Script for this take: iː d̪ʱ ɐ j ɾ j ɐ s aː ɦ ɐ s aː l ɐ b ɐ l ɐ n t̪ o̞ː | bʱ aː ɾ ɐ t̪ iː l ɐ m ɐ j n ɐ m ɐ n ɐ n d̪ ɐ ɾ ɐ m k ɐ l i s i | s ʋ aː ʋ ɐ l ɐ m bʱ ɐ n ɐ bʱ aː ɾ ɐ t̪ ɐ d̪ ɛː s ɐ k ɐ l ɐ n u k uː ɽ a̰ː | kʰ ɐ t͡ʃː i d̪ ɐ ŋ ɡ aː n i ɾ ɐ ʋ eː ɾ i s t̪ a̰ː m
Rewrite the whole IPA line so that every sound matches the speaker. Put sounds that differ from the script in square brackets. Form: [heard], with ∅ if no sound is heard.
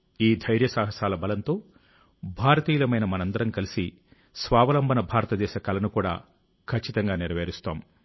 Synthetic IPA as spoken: iː d̪ʱ ɐ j ɾ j ɐ s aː ɦ ɐ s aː l ɐ b ɐ l ɐ n t̪ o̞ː | bʱ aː ɾ ɐ t̪ iː l ɐ m ɐ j n ɐ m ɐ n ɐ n d̪ ɐ ɾ ɐ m k ɐ l i s i | s ʋ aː ʋ ɐ l ɐ m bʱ ɐ n ɐ bʱ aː ɾ ɐ t̪ ɐ d̪ ɛː [ʃ] ɐ k ɐ l ɐ n u k uː ɽ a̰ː | kʰ ɐ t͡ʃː i [t̪] ɐ ŋ ɡ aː n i ɾ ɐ ʋ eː ɾ i s t̪ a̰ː m

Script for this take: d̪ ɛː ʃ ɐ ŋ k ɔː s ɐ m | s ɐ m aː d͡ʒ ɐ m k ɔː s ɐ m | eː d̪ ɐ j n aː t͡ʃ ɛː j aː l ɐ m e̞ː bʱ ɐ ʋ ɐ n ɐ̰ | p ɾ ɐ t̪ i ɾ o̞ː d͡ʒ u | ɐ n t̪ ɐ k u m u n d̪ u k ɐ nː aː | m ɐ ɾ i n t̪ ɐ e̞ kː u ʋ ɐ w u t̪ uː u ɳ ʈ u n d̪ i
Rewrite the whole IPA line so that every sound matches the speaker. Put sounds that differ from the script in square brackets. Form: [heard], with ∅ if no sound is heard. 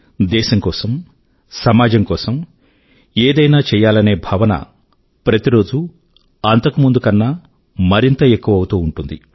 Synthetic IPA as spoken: d̪ ɛː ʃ ɐ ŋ k ɔː s ɐ m | s ɐ m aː d͡ʒ ɐ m k ɔː s ɐ m | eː d̪ ɐ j n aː t͡ʃ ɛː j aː l ɐ [n] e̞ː bʱ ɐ ʋ ɐ n ɐ̰ | p ɾ ɐ t̪ i ɾ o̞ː d͡ʒ u | ɐ n t̪ ɐ k u m u n d̪ u k ɐ nː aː | m ɐ ɾ i n t̪ ɐ e̞ kː u ʋ ɐ w u t̪ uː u ɳ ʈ u n d̪ i

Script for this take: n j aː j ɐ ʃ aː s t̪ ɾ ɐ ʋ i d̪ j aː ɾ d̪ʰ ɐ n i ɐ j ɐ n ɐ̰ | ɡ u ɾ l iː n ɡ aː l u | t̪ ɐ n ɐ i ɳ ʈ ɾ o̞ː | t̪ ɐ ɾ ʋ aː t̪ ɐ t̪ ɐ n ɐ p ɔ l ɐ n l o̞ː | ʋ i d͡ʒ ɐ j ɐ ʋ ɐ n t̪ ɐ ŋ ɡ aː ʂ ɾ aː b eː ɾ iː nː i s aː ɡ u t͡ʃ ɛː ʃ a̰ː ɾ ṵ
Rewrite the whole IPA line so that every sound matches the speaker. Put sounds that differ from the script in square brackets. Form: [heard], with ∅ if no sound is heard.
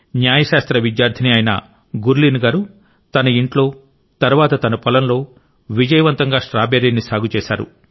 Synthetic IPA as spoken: n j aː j ɐ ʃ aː s t̪ ɾ ɐ ʋ i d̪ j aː ɾ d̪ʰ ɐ n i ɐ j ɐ n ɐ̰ | ɡ u ɾ l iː n ɡ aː [ɾ] u | t̪ ɐ n ɐ i ɳ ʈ [l] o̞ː | t̪ ɐ ɾ ʋ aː t̪ ɐ t̪ ɐ n ɐ p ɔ l ɐ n l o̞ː | ʋ i d͡ʒ ɐ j ɐ ʋ ɐ n t̪ ɐ ŋ ɡ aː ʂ ɾ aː b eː ɾ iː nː i s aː ɡ u t͡ʃ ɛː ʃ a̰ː ɾ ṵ

